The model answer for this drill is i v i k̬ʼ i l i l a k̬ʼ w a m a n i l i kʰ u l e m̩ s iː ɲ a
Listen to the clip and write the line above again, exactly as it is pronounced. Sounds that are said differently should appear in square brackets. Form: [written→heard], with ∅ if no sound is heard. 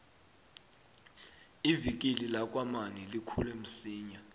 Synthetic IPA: i v i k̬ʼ i l i l a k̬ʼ w a m a n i l i kʰ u l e m̩ s iː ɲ a